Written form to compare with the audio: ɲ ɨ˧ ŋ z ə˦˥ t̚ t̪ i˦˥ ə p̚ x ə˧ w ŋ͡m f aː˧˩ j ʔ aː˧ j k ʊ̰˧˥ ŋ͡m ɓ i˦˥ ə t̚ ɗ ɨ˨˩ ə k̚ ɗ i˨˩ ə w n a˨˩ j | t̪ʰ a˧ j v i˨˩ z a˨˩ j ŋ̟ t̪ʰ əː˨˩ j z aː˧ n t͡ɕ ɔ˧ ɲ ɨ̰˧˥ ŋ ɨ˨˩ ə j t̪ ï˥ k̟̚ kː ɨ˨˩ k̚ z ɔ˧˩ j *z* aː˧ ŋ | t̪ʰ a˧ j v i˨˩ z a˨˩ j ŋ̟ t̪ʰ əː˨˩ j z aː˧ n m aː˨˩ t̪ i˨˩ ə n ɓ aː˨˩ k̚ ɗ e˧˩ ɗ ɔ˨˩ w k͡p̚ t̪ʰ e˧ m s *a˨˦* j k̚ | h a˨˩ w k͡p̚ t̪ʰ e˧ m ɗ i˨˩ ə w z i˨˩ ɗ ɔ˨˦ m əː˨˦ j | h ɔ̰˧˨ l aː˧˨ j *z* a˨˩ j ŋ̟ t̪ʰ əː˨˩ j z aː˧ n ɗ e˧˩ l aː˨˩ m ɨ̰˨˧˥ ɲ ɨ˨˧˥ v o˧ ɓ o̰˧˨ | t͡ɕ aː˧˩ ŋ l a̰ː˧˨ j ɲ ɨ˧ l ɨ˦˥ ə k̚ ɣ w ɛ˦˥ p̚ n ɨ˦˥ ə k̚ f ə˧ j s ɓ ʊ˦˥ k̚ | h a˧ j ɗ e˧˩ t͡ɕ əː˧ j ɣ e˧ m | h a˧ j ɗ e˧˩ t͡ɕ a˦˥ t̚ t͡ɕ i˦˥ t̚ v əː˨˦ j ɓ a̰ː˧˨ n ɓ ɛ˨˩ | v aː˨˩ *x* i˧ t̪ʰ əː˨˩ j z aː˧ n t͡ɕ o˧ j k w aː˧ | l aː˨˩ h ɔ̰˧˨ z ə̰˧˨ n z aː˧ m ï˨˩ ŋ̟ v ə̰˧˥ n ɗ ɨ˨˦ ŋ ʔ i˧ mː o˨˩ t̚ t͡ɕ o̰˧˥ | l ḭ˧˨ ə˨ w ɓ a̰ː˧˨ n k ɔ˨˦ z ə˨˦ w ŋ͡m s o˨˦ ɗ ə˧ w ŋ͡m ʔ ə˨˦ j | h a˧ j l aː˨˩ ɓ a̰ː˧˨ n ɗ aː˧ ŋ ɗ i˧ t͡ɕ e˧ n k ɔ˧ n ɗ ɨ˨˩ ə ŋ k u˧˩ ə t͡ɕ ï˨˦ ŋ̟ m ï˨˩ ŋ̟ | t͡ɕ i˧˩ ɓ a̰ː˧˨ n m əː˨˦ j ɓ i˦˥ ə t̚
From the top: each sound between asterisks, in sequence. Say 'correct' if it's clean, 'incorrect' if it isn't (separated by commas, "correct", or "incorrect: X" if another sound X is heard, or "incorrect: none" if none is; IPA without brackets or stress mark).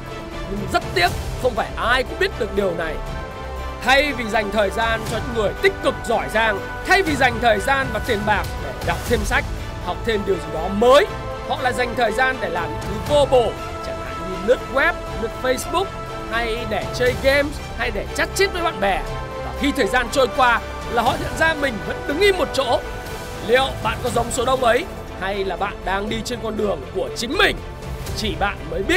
correct, incorrect: a˦˥, correct, correct